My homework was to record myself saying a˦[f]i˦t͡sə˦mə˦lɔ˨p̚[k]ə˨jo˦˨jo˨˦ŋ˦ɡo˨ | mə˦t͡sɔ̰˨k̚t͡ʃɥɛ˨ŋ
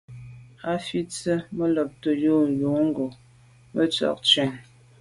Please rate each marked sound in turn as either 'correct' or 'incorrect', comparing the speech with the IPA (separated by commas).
correct, incorrect